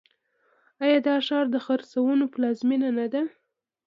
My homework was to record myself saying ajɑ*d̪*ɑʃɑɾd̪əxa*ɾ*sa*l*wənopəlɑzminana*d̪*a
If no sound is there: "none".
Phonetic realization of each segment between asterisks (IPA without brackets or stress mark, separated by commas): d̪, ɾ, none, d̪